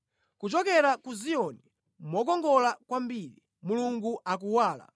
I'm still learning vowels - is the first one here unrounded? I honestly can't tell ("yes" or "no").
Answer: no